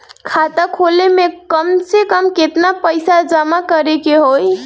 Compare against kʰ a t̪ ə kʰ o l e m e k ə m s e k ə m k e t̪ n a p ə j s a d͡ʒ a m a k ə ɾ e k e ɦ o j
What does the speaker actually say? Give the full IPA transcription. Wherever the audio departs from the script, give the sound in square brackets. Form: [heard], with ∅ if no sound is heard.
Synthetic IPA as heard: kʰ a t̪ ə kʰ o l e m e k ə m s e k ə m k e t̪ n a p ə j s a d͡ʒ [ə] m a k ə ɾ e k e ɦ o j